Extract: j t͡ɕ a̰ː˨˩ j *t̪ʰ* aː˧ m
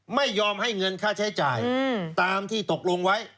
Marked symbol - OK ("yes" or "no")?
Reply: no